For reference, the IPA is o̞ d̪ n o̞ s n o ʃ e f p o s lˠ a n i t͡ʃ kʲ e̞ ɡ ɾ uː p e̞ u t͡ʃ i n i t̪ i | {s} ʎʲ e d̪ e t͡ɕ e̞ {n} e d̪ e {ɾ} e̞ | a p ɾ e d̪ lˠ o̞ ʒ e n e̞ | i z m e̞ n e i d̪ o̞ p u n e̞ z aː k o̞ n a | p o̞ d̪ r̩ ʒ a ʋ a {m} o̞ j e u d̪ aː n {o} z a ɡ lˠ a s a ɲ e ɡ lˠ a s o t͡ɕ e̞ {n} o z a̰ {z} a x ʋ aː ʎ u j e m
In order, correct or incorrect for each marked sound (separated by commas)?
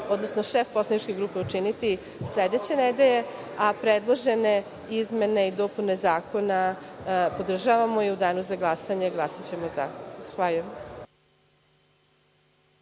correct, correct, incorrect, correct, incorrect, incorrect, correct